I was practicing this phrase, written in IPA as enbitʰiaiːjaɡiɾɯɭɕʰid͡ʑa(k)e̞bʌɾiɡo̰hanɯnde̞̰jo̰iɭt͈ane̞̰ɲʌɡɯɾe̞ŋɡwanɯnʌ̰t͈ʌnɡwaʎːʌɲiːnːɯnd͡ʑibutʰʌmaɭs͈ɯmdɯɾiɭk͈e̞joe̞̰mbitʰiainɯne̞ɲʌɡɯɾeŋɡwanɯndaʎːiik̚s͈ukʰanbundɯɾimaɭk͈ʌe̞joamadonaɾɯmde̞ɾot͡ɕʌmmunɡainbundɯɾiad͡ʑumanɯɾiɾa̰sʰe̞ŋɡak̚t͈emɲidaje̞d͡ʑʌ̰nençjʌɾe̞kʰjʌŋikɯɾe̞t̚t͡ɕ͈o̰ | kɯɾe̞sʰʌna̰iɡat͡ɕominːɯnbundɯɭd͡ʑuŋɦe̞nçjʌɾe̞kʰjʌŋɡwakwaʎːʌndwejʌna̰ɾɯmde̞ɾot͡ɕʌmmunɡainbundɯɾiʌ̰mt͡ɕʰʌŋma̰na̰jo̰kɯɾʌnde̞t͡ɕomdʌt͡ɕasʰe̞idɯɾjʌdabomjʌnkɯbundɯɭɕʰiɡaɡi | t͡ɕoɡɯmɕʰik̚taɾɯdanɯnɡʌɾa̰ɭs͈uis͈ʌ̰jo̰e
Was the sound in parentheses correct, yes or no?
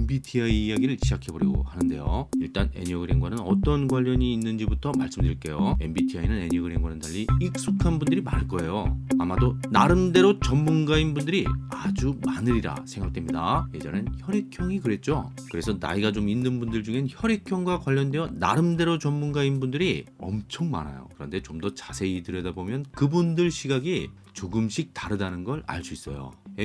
no